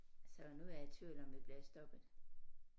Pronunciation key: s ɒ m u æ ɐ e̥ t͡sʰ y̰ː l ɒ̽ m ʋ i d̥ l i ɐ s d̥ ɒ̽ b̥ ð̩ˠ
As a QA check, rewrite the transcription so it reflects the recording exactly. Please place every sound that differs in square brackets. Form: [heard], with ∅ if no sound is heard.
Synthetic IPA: s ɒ [n] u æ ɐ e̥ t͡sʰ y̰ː l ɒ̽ m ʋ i [b̥] l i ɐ s d̥ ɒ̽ b̥ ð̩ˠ